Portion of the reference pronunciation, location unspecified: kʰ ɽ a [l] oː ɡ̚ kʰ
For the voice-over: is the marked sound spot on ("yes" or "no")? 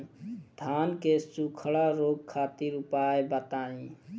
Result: no